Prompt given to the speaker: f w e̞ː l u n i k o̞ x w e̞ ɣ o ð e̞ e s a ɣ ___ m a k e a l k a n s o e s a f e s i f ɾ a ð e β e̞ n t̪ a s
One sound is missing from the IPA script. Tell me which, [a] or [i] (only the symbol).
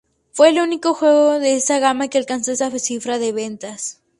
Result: a